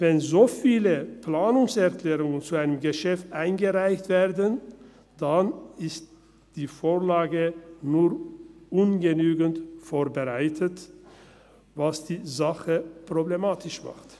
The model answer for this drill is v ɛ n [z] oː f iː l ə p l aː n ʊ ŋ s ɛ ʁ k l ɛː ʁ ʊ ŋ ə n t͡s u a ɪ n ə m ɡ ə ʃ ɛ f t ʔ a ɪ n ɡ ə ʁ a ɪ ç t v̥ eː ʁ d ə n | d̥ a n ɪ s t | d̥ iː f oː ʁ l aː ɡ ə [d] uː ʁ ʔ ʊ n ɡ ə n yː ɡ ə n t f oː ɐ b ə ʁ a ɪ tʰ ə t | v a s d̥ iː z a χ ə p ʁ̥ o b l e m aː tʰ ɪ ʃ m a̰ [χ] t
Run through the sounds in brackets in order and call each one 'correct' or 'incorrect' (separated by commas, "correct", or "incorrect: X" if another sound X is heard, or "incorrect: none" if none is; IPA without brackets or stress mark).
correct, incorrect: n, correct